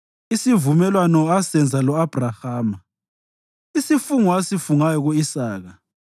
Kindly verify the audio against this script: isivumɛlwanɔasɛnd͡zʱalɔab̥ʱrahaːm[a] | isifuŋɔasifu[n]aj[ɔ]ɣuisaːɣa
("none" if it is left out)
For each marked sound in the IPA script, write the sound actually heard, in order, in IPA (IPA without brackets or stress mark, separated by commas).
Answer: a, ŋ, ɔ